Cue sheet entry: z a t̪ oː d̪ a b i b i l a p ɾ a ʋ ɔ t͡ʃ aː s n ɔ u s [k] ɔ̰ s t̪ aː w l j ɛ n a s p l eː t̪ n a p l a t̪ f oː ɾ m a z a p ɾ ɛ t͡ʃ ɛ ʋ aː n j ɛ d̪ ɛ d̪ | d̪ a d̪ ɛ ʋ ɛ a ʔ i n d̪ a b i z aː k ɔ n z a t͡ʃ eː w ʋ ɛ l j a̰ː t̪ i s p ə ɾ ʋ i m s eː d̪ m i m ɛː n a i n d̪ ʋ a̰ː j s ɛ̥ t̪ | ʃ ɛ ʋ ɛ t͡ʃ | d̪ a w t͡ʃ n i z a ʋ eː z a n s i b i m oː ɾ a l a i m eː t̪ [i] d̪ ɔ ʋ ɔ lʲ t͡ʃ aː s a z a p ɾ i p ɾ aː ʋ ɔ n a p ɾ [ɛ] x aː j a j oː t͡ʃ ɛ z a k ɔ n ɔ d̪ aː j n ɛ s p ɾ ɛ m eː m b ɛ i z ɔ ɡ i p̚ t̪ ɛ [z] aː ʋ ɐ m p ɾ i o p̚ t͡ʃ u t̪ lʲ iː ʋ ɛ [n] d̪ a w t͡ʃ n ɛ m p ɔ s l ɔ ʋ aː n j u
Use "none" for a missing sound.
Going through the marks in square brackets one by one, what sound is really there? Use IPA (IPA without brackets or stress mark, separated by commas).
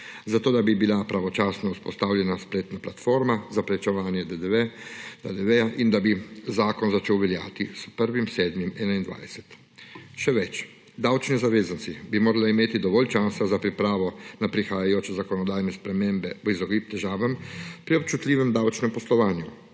p, i, i, ʒ, m